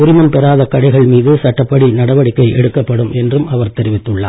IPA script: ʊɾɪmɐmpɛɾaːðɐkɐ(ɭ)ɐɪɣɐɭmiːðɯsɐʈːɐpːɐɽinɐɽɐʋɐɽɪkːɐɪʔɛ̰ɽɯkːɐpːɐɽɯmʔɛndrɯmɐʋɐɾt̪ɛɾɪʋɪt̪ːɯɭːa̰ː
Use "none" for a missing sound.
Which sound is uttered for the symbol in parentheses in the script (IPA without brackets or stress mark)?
ɽ